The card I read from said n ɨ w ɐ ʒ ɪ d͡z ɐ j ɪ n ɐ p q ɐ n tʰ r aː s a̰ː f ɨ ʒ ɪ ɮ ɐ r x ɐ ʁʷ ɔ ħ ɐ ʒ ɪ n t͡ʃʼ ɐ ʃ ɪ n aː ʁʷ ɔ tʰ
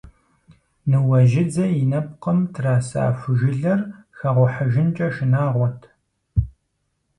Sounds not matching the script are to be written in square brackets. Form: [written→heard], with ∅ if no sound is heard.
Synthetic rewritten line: n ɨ w ɐ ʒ ɪ d͡z ɐ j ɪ n ɐ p q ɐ [n→m] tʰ r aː s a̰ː f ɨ ʒ ɪ ɮ ɐ r x ɐ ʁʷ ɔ ħ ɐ ʒ ɪ n t͡ʃʼ ɐ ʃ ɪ n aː ʁʷ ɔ tʰ